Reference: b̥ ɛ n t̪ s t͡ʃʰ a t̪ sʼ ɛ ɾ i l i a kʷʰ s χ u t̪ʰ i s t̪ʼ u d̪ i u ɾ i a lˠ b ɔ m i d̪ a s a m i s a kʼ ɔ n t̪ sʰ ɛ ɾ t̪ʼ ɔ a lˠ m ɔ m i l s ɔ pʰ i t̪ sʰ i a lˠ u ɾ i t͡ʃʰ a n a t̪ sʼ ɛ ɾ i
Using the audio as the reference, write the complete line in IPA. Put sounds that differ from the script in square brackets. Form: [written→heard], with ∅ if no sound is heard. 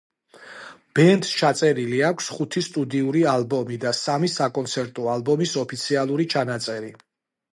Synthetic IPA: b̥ ɛ n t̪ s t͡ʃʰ a t̪ sʼ ɛ ɾ i l i a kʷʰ s χ u t̪ʰ i s t̪ʼ u d̪ i u ɾ i a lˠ b ɔ m i d̪ a s a m i s a kʼ ɔ n t̪ sʰ ɛ ɾ t̪ʼ ɔ a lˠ [m→b] ɔ m i [l→∅] s ɔ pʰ i t̪ sʰ i a lˠ u ɾ i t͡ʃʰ a n a t̪ sʼ ɛ ɾ i